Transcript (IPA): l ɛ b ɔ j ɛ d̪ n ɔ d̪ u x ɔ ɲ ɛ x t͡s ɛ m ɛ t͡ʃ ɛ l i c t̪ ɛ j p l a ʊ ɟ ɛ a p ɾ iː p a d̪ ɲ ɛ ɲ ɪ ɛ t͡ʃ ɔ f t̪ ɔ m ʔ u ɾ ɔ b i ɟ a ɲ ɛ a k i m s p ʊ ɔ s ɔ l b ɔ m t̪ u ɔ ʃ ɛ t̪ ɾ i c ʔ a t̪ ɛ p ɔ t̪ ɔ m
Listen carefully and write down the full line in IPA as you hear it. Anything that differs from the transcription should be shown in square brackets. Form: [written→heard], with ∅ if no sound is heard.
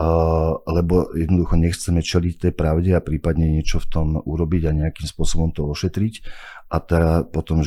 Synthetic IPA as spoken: l ɛ b ɔ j ɛ d̪ n ɔ d̪ u x ɔ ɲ ɛ x t͡s ɛ m ɛ t͡ʃ ɛ l i c t̪ ɛ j p [l→ɾ] a ʊ ɟ ɛ a p ɾ iː p a d̪ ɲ ɛ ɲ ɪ ɛ t͡ʃ ɔ f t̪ ɔ m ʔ u ɾ ɔ b i ɟ a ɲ ɛ a k i m s p ʊ ɔ s ɔ [l→∅] b ɔ m t̪ [u→ɔ] ɔ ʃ ɛ t̪ ɾ i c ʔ a t̪ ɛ p ɔ t̪ ɔ m